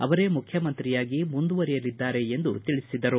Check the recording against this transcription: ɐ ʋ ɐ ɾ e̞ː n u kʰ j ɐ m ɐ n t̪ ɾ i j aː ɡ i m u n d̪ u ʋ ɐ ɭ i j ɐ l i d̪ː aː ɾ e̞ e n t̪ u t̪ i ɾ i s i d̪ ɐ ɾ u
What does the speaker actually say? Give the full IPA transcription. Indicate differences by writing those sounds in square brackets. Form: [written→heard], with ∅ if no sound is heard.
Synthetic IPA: ɐ ʋ ɐ ɾ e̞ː [n→m] u kʰ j ɐ m ɐ n t̪ ɾ i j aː ɡ i m u n d̪ u ʋ ɐ [ɭ→ɾ] i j ɐ l i d̪ː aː ɾ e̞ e n [t̪→d̪] u t̪ i [ɾ→ɭ] i s i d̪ ɐ ɾ u

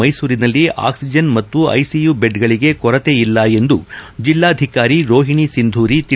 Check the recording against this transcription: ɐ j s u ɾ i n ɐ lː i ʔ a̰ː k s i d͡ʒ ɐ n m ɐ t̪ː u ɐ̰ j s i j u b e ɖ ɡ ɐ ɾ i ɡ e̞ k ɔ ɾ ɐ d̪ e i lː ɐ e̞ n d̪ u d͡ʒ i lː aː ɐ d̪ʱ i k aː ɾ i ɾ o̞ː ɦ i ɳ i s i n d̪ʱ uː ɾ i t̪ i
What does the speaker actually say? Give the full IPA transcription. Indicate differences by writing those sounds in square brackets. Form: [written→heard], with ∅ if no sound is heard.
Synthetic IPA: ɐ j s [u→uː] ɾ i n ɐ lː i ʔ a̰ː k s i d͡ʒ ɐ n m ɐ t̪ː u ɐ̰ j s i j u b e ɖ ɡ ɐ [ɾ→ɭ] i ɡ e̞ k ɔ ɾ ɐ [d̪→t̪] e i lː ɐ e̞ n d̪ u d͡ʒ i lː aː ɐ d̪ʱ i k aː ɾ i ɾ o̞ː ɦ i ɳ i s i n d̪ʱ uː ɾ i t̪ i

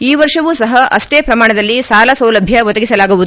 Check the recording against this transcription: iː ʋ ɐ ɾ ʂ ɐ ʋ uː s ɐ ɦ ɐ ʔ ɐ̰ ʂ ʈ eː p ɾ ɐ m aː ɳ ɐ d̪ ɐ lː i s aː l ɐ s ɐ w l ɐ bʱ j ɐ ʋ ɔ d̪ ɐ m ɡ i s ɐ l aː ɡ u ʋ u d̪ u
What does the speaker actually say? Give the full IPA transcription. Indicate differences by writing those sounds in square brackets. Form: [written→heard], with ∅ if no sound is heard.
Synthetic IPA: iː ʋ ɐ ɾ ʂ ɐ ʋ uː s ɐ ɦ ɐ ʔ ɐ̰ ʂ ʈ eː p ɾ ɐ m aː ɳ ɐ d̪ ɐ lː i s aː l ɐ s ɐ w l ɐ bʱ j ɐ ʋ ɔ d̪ ɐ [m→∅] ɡ i s ɐ l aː ɡ u ʋ u d̪ u

